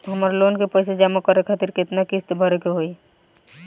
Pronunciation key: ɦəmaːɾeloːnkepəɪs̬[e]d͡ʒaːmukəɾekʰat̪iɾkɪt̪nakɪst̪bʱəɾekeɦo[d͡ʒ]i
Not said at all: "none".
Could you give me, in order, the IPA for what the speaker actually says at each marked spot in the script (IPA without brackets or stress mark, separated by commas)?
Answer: e, none